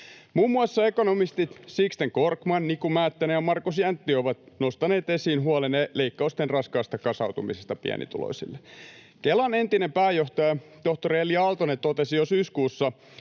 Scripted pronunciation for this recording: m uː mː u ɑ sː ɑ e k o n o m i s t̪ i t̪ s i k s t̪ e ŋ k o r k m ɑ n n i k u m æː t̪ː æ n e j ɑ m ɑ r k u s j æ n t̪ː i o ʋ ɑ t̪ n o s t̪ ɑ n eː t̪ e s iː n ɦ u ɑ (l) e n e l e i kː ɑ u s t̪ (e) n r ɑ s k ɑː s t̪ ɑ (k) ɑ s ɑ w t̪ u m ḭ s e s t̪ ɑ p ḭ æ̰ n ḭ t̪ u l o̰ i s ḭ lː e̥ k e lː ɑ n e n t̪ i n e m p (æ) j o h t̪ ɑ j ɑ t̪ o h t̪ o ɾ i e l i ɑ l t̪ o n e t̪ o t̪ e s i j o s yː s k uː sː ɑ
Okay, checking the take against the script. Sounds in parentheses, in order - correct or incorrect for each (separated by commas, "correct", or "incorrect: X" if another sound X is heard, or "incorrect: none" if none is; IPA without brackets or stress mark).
correct, correct, correct, incorrect: æː